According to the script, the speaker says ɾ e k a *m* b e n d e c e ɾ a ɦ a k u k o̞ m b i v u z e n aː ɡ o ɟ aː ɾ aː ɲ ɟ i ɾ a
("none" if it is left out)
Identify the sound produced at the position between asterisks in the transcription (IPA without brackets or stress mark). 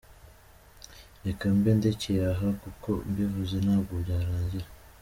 m